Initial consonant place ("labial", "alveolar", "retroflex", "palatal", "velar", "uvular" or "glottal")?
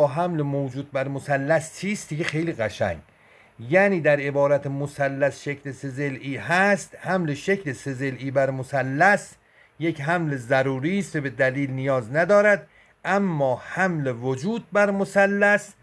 glottal